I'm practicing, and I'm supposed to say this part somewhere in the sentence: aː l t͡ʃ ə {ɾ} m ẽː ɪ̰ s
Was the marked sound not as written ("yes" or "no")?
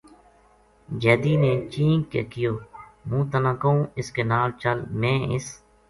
yes